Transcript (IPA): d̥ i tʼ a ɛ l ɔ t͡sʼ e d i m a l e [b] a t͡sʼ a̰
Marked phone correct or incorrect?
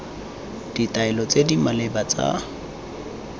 correct